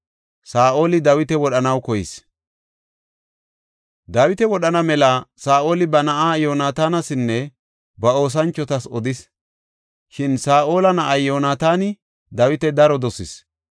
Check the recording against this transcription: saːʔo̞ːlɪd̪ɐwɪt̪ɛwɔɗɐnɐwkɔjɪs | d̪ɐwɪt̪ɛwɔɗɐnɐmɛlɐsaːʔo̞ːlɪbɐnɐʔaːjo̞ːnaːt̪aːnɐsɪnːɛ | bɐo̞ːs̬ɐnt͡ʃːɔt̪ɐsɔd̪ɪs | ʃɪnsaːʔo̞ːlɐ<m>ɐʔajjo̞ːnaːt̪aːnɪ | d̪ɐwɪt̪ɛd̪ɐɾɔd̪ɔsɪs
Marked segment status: incorrect: n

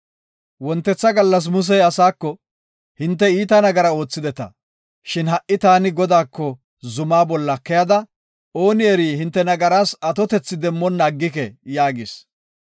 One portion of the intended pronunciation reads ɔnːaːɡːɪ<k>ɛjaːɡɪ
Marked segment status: correct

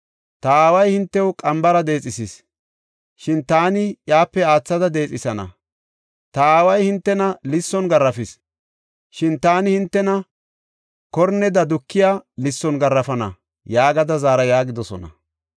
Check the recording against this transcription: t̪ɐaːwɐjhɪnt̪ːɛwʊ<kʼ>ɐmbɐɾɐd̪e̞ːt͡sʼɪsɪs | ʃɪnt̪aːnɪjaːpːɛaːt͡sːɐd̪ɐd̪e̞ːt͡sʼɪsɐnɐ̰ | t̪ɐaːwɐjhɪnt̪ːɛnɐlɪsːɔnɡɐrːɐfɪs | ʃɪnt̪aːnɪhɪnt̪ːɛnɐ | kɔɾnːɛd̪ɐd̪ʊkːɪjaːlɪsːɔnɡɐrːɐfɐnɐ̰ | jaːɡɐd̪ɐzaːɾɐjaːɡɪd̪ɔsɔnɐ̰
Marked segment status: correct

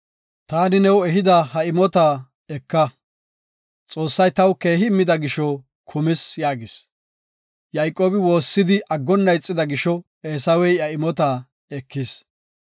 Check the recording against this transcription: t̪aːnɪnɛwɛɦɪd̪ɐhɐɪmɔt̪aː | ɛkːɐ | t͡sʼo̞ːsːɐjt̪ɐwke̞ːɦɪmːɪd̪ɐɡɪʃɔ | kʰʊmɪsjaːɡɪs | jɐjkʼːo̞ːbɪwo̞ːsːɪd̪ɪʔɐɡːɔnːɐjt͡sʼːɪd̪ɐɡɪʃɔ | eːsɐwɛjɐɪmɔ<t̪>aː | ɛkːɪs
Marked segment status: correct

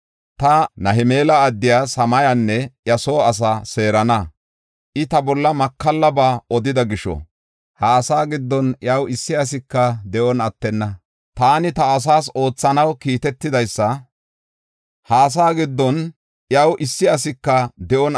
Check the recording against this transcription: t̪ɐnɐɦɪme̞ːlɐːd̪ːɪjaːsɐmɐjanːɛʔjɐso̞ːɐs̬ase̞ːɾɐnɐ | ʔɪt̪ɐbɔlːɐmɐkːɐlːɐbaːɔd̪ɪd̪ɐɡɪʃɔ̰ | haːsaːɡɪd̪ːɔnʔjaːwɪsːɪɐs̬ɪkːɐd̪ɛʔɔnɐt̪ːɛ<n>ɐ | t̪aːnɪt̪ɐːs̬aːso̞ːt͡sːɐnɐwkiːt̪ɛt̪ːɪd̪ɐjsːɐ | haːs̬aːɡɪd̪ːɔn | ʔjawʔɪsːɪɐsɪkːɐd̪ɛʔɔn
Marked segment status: incorrect: nː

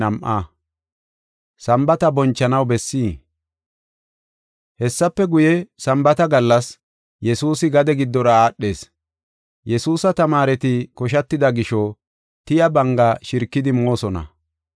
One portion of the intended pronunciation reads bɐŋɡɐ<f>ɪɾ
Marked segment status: incorrect: ʃ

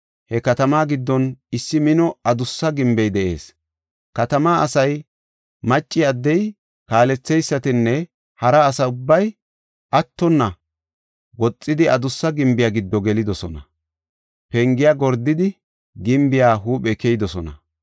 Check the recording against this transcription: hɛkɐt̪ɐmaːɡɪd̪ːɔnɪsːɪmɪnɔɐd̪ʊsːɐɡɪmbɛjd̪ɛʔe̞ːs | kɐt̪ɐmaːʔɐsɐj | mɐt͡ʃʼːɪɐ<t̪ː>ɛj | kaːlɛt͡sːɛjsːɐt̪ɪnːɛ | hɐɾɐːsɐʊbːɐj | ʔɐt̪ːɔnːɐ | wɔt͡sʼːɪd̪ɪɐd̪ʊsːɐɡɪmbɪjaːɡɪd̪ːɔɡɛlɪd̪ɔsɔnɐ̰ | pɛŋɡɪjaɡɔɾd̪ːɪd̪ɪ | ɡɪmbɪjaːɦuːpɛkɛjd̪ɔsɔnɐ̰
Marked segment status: incorrect: d̪ː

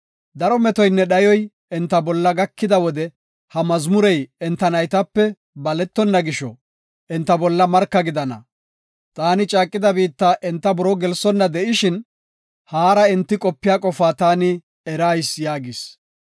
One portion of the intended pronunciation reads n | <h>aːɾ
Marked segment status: correct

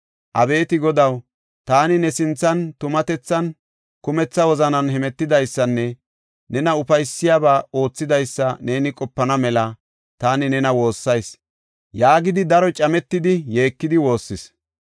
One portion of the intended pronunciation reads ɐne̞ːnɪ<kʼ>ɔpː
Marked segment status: correct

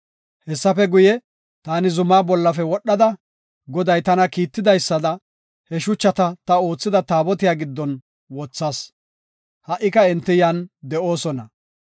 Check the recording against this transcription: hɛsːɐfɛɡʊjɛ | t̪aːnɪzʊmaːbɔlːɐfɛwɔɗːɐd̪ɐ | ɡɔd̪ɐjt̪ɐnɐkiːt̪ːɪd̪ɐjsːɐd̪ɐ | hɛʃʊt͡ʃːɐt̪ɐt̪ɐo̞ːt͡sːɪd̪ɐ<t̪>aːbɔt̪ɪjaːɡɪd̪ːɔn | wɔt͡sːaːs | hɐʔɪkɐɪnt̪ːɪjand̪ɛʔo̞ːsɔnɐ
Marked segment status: correct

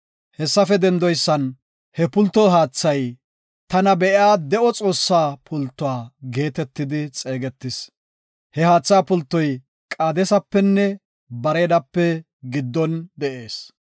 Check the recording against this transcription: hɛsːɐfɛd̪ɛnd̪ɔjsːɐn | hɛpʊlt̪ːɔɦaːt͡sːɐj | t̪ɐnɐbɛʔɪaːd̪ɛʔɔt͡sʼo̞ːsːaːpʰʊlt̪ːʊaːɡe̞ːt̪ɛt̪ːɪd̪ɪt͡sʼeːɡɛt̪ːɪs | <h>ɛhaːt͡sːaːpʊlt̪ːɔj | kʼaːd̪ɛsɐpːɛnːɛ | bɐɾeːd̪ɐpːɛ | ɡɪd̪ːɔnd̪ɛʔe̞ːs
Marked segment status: correct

